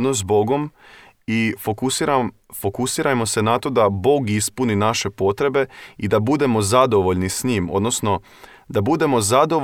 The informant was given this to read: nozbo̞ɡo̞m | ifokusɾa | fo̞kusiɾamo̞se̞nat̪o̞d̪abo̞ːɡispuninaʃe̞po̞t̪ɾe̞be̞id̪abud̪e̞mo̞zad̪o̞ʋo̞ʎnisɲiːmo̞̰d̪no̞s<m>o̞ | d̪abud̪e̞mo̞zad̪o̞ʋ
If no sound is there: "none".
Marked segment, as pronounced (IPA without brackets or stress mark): n